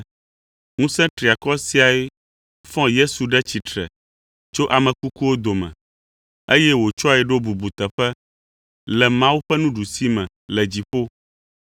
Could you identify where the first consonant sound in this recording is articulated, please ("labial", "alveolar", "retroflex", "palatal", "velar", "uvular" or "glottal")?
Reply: velar